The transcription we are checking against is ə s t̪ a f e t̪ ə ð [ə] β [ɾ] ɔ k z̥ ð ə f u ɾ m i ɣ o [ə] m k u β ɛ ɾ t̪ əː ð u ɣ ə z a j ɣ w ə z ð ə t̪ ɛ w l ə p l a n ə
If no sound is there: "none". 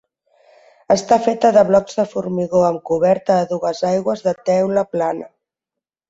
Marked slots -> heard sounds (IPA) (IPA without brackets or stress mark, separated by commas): ə, l, ə